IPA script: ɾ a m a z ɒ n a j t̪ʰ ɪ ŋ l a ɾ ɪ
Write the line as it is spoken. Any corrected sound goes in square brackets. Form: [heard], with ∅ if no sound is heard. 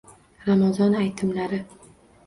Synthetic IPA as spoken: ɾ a m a z ɒ n a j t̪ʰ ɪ [m] l a ɾ ɪ